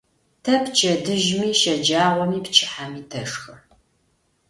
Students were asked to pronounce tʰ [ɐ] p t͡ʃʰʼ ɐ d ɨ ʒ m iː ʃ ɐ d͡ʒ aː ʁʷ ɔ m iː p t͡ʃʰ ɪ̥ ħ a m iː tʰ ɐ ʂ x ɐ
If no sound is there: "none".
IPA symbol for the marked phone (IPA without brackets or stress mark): ɐ